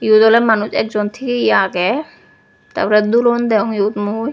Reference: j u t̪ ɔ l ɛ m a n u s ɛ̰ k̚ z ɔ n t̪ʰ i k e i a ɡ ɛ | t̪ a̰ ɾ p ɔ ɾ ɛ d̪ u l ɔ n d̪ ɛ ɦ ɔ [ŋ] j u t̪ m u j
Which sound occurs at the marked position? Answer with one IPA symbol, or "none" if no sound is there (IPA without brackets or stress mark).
ŋ